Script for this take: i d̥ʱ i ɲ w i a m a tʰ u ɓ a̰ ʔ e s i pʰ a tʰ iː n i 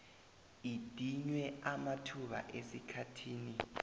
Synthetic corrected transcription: i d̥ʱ i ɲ w ɛ a m a tʰ u ɓ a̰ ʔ e s i kʰ a tʰ iː n i